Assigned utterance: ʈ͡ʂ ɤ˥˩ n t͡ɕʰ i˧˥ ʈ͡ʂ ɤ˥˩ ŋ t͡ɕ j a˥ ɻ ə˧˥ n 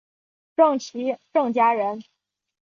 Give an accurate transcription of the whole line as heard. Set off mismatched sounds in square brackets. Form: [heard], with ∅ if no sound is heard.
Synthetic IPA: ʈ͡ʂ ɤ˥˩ [ŋ] t͡ɕʰ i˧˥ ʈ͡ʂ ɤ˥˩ ŋ t͡ɕ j a˥ ɻ ə˧˥ n

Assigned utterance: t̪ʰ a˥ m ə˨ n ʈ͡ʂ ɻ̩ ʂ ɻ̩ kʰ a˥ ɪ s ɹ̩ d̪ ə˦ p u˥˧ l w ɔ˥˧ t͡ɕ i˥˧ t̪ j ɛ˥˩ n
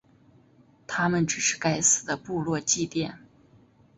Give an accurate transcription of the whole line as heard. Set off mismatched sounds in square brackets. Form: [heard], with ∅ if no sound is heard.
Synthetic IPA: t̪ʰ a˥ m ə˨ n ʈ͡ʂ ɻ̩ ʂ ɻ̩ [k] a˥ ɪ s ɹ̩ d̪ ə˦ p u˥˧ l w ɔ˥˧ t͡ɕ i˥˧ t̪ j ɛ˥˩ n

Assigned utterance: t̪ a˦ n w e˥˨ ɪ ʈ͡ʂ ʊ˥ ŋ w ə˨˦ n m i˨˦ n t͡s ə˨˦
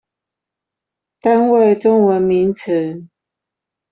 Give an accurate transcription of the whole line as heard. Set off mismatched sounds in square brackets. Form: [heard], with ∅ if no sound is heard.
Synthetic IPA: t̪ a˦ n w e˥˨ ɪ ʈ͡ʂ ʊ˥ ŋ w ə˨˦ n m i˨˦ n [t͡sʰ] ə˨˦

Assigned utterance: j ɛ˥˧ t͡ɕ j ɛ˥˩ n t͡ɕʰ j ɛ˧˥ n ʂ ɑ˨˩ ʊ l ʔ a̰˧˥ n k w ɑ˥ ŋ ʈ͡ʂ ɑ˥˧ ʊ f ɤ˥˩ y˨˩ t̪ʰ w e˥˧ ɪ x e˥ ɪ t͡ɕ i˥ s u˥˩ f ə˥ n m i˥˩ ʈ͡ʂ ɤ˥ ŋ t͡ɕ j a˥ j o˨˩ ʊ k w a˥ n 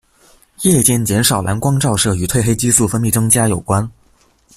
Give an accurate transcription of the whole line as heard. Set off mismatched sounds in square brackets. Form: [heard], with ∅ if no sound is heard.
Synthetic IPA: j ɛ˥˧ t͡ɕ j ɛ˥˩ n [t͡ɕ] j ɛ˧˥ n ʂ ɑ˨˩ ʊ l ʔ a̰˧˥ n k w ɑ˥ ŋ ʈ͡ʂ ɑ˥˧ ʊ [ʂ] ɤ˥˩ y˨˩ t̪ʰ w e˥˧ ɪ x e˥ ɪ t͡ɕ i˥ s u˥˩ f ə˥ n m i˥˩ ʈ͡ʂ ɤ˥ ŋ t͡ɕ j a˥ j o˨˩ ʊ k w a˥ n

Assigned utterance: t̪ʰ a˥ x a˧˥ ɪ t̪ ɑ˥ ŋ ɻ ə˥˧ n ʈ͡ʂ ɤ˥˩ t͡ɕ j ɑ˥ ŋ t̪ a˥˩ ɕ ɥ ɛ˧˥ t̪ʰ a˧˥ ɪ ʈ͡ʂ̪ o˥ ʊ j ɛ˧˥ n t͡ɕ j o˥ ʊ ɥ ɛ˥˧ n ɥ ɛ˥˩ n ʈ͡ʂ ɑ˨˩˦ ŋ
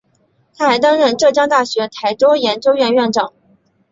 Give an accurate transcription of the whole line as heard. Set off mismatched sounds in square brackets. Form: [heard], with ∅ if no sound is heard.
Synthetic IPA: t̪ʰ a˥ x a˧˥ ɪ t̪ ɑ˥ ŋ ɻ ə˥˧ n ʈ͡ʂ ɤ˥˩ t͡ɕ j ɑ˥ ŋ t̪ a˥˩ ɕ ɥ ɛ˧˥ t̪ʰ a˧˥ ɪ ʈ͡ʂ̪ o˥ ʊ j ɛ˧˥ n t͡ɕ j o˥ ʊ ɥ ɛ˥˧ n ɥ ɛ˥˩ n ʈ͡ʂ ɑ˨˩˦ ŋ

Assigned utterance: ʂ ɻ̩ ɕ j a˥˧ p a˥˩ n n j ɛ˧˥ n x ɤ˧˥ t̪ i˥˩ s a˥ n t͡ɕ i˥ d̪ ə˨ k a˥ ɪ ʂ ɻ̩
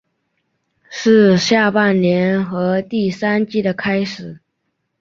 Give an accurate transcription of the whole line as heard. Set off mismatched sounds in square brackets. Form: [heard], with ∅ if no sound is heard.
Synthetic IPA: ʂ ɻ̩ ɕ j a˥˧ p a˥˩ n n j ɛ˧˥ n x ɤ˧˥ t̪ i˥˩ s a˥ n t͡ɕ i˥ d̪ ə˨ [kʰ] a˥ ɪ ʂ ɻ̩

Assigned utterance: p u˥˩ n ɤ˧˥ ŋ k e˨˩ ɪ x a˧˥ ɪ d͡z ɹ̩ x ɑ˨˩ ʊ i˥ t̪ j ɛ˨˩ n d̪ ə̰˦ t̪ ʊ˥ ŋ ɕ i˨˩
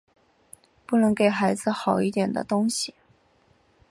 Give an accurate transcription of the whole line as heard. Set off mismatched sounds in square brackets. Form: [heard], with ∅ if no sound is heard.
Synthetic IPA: p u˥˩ n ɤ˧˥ ŋ k e˨˩ ɪ x a˧˥ ɪ d͡z ɹ̩ x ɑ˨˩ ʊ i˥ t̪ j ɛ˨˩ n d̪ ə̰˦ t̪ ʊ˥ ŋ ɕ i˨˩

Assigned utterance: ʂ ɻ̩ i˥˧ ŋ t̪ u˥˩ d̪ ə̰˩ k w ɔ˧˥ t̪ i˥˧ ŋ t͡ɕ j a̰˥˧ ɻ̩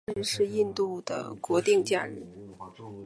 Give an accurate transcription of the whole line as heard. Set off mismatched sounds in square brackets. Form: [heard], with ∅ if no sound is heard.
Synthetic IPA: ʂ ɻ̩ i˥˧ [n] t̪ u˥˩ d̪ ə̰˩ k w ɔ˧˥ t̪ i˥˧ ŋ t͡ɕ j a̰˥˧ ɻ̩

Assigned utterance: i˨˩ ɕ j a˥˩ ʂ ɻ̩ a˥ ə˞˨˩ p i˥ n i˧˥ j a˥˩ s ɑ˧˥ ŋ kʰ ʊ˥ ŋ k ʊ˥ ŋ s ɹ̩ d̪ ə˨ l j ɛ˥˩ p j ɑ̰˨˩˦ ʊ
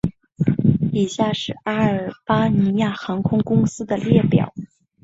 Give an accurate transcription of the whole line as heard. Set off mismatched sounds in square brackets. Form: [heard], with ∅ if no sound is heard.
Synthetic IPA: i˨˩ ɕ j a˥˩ ʂ ɻ̩ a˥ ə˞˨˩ p [a˥] n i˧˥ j a˥˩ [x] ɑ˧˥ ŋ kʰ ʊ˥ ŋ k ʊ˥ ŋ s ɹ̩ d̪ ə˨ l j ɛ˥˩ p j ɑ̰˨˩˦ ʊ

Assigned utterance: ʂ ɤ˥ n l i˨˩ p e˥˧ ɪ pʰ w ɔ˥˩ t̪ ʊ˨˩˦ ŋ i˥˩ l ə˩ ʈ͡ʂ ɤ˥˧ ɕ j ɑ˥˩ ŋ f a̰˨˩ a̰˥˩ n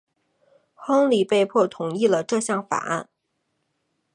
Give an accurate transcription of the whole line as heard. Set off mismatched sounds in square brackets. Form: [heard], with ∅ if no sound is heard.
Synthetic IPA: [x] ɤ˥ [ŋ] l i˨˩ p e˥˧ ɪ pʰ w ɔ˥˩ [t̪ʰ] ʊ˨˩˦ ŋ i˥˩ l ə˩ ʈ͡ʂ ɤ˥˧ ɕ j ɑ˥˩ ŋ f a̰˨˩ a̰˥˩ n

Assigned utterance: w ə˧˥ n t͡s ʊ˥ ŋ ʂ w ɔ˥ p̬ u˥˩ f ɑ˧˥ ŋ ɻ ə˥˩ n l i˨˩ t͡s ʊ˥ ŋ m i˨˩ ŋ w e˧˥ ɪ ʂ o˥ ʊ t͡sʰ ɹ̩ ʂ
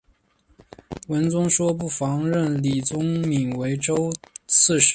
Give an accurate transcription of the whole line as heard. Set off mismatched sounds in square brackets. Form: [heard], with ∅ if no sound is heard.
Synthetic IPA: w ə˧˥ n t͡s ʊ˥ ŋ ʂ w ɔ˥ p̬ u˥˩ f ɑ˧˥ ŋ ɻ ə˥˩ n l i˨˩ t͡s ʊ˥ ŋ m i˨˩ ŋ w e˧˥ ɪ [ʈ͡ʂ] o˥ ʊ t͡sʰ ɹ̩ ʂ

